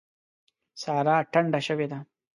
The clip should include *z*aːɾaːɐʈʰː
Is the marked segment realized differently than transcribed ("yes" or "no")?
yes